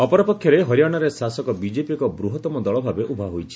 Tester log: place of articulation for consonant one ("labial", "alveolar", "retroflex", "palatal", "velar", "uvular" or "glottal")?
labial